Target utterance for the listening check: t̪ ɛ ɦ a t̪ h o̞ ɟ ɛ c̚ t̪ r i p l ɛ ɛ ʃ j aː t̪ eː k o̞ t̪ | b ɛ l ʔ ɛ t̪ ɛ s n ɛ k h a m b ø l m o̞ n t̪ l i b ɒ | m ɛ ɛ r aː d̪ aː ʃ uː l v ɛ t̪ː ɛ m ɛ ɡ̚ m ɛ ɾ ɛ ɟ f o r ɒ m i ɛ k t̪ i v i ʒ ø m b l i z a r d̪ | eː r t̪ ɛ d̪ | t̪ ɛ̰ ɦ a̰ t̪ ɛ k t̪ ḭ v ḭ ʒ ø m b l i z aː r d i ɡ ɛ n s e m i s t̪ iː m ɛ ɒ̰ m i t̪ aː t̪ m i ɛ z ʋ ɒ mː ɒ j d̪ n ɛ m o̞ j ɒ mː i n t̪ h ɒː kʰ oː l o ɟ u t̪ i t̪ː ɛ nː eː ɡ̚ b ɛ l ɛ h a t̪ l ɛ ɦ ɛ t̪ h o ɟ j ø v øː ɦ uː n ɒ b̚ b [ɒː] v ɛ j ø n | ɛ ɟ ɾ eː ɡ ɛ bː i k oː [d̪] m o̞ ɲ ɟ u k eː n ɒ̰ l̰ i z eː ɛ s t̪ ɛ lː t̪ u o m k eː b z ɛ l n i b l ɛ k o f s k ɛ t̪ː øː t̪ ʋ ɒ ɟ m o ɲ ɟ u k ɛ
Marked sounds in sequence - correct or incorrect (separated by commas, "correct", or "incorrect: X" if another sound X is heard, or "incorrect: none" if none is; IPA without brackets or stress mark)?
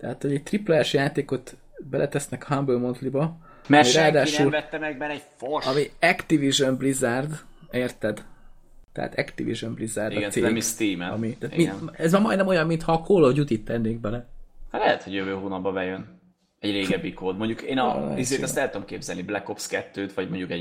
incorrect: ɒ, correct